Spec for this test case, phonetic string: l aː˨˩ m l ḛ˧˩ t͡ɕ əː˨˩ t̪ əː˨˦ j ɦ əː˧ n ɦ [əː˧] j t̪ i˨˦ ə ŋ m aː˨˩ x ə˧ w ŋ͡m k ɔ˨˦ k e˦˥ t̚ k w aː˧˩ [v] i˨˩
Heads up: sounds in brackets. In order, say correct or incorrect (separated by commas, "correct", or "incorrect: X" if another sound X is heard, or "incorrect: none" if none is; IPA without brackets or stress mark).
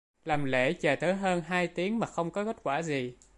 incorrect: aː˧, incorrect: z